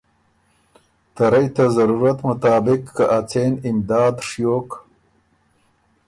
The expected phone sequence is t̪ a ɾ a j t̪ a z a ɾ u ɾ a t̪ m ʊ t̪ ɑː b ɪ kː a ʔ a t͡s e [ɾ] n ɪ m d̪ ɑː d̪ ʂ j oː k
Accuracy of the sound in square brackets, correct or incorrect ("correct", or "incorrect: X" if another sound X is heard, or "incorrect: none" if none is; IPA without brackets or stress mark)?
incorrect: none